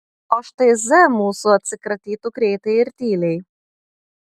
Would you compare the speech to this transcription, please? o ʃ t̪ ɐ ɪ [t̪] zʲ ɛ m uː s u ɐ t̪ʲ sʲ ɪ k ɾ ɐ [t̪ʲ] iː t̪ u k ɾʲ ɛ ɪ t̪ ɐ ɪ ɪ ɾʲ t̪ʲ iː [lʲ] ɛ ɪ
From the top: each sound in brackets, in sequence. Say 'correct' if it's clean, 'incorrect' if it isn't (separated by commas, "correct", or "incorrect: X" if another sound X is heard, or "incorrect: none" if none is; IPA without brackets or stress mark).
incorrect: none, correct, correct